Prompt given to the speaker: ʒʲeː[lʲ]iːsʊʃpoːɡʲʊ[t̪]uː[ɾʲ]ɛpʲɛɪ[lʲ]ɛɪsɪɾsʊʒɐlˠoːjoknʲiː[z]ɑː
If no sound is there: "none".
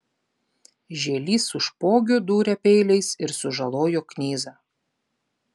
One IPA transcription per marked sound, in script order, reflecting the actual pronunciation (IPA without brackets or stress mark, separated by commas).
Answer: lʲ, d̪, ɾʲ, lʲ, z